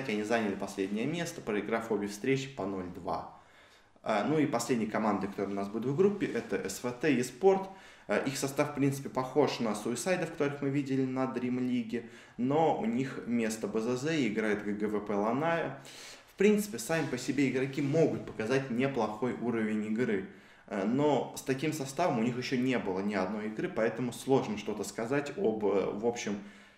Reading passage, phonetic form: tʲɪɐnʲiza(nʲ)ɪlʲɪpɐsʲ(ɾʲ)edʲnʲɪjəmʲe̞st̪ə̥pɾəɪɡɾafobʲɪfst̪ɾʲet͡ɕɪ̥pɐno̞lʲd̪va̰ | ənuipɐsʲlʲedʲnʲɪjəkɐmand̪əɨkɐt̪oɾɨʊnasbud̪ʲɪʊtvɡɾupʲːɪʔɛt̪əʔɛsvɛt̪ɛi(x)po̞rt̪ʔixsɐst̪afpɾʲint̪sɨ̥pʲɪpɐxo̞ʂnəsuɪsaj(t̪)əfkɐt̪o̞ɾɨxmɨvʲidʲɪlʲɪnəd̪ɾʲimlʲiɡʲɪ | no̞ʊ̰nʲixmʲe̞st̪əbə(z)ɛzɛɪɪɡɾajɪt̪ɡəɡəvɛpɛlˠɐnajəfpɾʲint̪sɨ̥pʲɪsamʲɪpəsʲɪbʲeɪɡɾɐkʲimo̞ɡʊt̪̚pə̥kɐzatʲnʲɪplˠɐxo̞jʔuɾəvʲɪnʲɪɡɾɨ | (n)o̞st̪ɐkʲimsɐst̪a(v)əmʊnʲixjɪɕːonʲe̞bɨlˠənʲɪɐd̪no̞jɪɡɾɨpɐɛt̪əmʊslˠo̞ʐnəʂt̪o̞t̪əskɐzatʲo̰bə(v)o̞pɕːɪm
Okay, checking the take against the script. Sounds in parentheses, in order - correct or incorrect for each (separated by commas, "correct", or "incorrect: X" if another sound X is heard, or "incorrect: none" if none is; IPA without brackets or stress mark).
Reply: correct, incorrect: lʲ, incorrect: s, incorrect: d̪, correct, correct, correct, correct